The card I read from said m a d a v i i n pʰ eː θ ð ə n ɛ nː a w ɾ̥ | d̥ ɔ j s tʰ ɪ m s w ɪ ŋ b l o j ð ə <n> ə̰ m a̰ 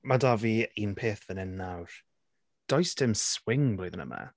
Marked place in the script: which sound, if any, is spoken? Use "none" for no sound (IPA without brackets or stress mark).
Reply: n